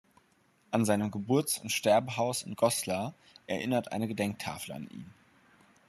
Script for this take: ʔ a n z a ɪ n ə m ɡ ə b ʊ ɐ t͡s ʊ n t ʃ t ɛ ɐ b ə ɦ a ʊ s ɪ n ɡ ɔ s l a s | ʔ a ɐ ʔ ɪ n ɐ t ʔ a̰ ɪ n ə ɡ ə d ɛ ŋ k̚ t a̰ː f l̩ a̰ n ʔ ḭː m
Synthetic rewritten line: ʔ a n z a ɪ n ə m ɡ ə b ʊ ɐ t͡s ʊ n t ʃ t ɛ ɐ b ə ɦ a ʊ s ɪ n ɡ ɔ s l a | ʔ ɛ ɐ ʔ ɪ n ɐ t ʔ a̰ ɪ n ə ɡ ə d ɛ ŋ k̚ tʰ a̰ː f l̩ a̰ n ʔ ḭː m